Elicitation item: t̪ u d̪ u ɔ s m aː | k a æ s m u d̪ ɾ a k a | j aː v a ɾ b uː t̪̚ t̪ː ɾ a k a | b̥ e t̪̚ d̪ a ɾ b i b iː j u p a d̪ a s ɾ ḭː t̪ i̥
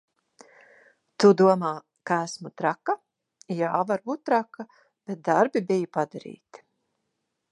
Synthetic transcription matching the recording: t̪ u d̪ u ɔ m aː | k a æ s m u t̪ ɾ a k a | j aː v a ɾ b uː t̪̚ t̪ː ɾ a k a | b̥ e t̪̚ d̪ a ɾ b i b i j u p a d̪ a ɾ ḭː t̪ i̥